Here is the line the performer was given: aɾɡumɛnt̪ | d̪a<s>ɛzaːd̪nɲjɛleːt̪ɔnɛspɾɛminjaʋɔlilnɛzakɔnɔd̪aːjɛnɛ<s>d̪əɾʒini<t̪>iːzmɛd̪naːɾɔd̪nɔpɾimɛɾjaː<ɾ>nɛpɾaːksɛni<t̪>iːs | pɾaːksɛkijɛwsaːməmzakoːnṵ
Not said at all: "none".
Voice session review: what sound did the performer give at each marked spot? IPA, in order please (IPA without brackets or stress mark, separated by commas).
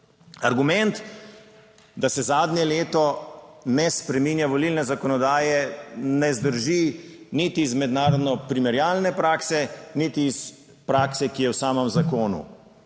s, z, t̪, l, t̪